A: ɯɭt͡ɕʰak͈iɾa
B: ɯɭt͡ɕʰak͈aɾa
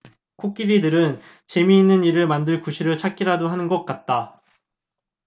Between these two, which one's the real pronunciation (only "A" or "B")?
A